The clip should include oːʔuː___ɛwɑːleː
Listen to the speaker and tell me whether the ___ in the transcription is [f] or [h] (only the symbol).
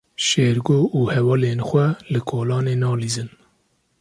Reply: h